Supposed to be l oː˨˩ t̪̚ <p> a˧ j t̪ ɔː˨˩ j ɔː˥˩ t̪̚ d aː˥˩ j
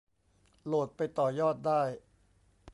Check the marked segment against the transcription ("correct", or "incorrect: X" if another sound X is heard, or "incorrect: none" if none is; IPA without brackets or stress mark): correct